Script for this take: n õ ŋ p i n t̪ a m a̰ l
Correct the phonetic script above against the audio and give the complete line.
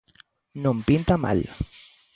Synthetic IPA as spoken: n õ m p i n t̪ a m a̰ l